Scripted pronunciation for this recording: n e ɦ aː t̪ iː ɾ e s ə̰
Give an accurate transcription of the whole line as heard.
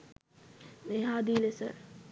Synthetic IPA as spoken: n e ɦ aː d̪ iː l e s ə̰